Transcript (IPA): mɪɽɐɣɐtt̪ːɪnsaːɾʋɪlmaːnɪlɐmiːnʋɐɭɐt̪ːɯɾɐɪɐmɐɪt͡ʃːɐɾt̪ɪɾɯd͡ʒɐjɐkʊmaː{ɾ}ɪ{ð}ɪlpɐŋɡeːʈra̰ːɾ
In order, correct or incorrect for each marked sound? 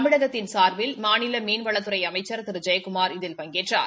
correct, correct

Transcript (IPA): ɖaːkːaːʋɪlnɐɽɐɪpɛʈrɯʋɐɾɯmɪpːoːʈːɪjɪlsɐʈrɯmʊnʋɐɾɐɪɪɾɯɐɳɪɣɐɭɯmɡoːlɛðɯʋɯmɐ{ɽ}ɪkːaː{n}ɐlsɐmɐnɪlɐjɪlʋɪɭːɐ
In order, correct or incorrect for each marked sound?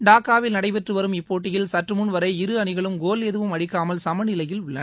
correct, incorrect: m

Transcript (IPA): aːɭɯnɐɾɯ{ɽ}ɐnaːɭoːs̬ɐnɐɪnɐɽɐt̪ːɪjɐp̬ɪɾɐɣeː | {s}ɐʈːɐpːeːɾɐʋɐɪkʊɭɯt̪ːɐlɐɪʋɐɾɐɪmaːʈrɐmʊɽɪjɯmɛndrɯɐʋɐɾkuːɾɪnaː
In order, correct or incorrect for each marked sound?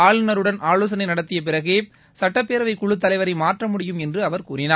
correct, correct

